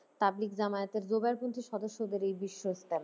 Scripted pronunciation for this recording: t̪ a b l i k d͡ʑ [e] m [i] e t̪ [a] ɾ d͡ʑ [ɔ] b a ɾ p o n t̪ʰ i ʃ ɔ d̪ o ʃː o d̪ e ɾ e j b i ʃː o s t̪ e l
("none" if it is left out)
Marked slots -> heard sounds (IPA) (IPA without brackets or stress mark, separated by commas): a, a, e, o